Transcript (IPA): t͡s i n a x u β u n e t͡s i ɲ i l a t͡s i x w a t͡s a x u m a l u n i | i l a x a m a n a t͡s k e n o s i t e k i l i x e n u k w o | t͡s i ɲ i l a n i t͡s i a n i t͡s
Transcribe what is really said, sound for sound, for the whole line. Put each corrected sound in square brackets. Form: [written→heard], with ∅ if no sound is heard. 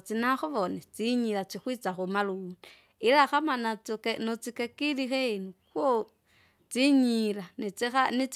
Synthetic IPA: t͡s i n a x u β [u→o] n e t͡s i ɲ i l a t͡s i x w [a→i] t͡s a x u m a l u n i | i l a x a m a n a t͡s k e n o [s→t͡s] i [t→k] e k i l i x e n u k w o | t͡s i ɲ i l a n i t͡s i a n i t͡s